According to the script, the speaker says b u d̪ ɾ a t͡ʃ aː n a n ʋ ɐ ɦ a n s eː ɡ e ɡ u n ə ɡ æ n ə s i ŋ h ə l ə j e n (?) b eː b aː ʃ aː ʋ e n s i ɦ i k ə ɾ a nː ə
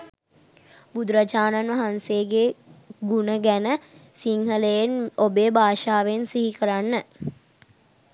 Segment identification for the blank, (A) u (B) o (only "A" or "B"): B